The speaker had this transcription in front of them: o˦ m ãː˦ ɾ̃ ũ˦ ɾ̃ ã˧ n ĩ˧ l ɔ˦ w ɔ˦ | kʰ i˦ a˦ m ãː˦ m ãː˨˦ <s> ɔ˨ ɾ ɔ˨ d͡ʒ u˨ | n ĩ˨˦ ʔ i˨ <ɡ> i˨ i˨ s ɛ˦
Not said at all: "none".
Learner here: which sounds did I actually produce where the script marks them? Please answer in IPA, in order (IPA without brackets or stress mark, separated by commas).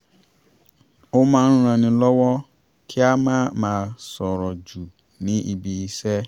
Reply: s, b